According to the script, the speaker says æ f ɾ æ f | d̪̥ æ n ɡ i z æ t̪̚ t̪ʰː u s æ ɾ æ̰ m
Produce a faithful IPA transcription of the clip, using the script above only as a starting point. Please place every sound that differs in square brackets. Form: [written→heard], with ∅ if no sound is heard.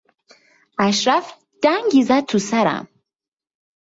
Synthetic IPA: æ [f→ʃ] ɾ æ f | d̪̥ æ [n→ŋ] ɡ i z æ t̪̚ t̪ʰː u s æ ɾ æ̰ m